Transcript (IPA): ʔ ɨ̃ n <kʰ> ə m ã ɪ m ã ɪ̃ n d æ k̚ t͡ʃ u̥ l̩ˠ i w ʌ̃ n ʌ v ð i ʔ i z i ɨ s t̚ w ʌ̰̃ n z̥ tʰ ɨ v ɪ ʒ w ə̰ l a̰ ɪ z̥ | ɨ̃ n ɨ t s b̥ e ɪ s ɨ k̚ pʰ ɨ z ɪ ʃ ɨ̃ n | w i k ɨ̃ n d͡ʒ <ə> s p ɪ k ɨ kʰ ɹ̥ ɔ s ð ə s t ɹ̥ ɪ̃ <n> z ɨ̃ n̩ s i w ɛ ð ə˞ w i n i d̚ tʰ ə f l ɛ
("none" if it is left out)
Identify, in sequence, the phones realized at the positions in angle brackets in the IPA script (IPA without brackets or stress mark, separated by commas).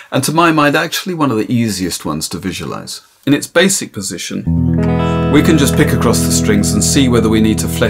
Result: tʰ, ʌ, ŋ